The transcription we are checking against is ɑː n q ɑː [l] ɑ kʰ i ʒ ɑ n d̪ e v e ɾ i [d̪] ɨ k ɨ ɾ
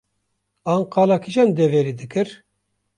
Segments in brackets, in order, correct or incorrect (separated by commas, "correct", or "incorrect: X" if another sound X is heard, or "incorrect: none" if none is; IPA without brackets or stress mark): correct, correct